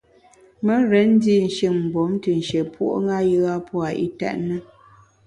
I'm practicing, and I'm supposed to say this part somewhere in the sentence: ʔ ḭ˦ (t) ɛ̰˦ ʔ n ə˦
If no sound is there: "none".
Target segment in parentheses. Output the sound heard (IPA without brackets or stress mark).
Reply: t